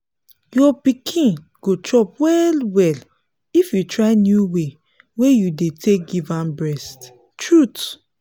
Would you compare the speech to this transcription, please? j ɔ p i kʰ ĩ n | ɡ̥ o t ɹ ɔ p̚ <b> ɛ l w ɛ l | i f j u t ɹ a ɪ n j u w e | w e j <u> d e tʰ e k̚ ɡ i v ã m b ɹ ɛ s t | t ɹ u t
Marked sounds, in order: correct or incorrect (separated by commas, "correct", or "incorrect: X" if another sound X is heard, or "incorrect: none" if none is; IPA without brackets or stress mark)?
incorrect: w, correct